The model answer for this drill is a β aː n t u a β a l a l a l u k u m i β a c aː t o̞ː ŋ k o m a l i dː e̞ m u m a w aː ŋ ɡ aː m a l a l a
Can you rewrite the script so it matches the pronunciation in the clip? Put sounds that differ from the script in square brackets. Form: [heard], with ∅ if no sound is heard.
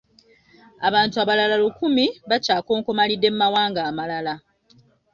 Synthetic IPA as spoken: a β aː n t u a β a l a l a l u k u m i β a c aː [k] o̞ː ŋ k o m a l i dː e̞ m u m a w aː ŋ ɡ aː m a l a l a